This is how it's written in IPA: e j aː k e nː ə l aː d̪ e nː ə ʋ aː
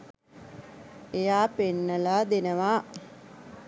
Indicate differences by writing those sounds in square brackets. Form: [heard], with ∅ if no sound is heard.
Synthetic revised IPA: e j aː [p] e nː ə l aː d̪ e [n] ə ʋ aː